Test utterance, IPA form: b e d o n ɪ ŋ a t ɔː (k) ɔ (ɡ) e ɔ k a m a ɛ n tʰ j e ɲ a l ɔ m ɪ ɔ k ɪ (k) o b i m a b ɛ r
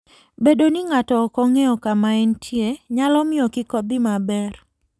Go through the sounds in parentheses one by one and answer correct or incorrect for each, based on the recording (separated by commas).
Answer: correct, incorrect, correct